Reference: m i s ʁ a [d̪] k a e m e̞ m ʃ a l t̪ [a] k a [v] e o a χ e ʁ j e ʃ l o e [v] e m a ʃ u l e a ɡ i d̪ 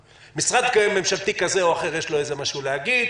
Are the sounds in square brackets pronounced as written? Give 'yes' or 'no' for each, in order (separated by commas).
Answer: yes, no, no, no